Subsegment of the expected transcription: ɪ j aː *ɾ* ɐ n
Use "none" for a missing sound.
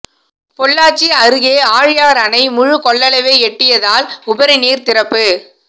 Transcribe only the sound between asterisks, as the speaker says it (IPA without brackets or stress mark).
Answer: ɾ